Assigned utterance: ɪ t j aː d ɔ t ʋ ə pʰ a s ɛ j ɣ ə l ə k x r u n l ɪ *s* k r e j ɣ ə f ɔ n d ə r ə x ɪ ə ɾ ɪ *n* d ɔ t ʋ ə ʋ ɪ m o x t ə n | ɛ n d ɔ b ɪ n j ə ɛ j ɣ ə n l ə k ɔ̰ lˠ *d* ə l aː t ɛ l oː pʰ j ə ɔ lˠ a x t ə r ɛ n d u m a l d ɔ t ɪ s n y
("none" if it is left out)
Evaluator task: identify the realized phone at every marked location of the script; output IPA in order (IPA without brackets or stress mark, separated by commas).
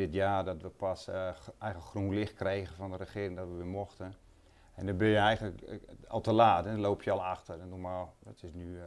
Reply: x, ŋ, t